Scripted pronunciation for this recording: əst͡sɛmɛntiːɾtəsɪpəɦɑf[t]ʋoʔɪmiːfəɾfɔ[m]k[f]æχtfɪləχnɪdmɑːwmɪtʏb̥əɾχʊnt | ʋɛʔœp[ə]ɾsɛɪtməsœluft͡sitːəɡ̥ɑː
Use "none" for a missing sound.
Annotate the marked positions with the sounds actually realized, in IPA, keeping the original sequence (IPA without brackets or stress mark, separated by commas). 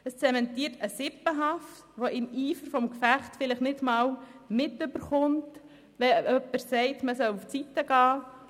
t, m, f, ə